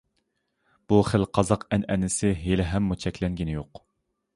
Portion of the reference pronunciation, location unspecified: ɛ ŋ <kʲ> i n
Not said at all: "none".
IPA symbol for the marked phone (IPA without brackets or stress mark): ɡʲ